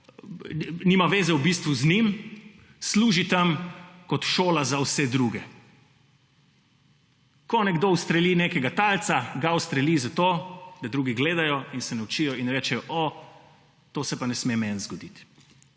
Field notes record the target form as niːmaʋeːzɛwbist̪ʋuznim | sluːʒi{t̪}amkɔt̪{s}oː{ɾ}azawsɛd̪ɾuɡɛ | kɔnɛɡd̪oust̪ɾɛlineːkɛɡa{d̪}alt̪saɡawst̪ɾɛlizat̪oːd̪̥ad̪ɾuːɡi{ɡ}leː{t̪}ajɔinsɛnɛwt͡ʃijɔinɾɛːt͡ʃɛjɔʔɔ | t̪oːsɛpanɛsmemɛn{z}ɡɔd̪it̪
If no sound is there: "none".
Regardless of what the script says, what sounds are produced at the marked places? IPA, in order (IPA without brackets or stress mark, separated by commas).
t̪, ʃ, l, t̪, ɡ, d̪, z